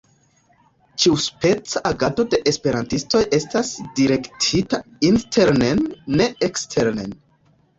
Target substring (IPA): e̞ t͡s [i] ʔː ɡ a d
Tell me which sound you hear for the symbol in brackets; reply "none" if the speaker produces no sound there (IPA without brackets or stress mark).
a